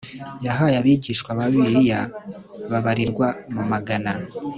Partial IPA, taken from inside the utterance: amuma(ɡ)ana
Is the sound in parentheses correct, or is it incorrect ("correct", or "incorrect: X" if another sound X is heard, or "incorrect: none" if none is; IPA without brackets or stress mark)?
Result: correct